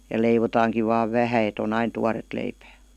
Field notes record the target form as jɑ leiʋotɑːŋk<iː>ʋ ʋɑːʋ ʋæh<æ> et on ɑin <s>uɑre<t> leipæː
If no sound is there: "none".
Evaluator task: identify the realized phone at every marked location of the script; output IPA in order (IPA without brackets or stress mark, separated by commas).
i, æ, t, t